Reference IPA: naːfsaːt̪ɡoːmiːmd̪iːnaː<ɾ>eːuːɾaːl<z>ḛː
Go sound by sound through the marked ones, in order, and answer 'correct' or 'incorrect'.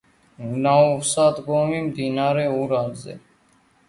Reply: correct, correct

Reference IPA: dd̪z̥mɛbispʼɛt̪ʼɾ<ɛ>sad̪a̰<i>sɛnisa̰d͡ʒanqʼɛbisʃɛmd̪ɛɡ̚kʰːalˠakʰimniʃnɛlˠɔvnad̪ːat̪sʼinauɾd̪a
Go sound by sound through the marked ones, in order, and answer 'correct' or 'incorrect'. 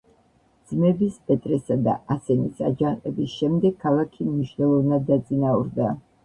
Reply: correct, incorrect

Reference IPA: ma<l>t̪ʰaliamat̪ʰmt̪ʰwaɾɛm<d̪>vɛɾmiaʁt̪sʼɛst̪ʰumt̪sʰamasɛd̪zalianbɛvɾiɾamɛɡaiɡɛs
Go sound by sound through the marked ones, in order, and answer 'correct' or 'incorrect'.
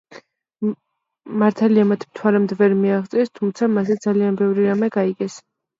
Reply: incorrect, correct

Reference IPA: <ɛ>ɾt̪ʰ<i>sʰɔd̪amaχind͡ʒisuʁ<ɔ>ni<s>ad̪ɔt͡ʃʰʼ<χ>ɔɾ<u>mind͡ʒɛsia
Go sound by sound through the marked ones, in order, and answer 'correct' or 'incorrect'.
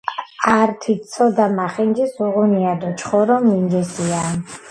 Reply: incorrect, correct, incorrect, incorrect, correct, incorrect

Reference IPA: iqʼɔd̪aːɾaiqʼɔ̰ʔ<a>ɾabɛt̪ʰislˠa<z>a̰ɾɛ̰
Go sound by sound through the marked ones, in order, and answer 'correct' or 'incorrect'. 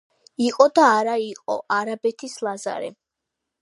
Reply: correct, correct

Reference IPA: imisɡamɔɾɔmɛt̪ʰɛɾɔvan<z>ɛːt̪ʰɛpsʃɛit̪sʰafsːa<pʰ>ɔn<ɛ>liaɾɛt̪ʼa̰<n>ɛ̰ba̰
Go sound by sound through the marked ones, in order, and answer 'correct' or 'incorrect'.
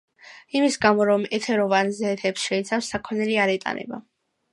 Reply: correct, incorrect, correct, correct

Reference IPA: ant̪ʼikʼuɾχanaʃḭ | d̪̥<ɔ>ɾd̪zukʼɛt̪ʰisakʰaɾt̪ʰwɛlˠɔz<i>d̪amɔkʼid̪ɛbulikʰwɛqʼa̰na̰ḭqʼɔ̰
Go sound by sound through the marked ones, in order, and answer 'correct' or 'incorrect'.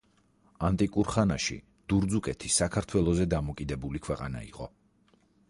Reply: incorrect, incorrect

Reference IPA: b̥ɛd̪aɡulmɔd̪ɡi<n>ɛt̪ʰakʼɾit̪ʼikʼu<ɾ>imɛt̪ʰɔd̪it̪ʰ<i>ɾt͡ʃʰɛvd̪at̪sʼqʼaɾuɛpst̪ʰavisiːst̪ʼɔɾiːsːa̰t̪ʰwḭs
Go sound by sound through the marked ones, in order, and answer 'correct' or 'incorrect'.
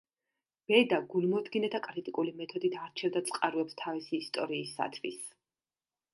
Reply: correct, incorrect, incorrect

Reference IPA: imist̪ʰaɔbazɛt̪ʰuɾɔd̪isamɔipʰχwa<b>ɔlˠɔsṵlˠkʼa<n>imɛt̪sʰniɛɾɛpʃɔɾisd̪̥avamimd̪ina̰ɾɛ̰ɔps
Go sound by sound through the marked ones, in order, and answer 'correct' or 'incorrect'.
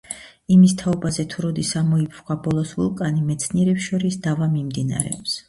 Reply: correct, correct

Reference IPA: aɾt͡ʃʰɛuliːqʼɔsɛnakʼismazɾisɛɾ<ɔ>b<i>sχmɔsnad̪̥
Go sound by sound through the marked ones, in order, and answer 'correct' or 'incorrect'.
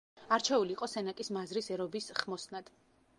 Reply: correct, correct

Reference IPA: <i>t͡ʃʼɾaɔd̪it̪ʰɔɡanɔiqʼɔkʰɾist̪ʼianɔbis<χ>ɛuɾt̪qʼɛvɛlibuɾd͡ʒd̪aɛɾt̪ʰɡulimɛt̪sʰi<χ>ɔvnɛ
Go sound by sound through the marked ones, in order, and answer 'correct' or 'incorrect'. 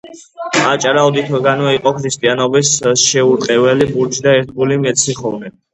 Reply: incorrect, incorrect, correct

